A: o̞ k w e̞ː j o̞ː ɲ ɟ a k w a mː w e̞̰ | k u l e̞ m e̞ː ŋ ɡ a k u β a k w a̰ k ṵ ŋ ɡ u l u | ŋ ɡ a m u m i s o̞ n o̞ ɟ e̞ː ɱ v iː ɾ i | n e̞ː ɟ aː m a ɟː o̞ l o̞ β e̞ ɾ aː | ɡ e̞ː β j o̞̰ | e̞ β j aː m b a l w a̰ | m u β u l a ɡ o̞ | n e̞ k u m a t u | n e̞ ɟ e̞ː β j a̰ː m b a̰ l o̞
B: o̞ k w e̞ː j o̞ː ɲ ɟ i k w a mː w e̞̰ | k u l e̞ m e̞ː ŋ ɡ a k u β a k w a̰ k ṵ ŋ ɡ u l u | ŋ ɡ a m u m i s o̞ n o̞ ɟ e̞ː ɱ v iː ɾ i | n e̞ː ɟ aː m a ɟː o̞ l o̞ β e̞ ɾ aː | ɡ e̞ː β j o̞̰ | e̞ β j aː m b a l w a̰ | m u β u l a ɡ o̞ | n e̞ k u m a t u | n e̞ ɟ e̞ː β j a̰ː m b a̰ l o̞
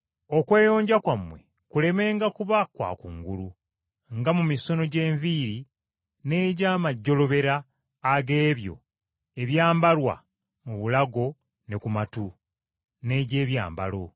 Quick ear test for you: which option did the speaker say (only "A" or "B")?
A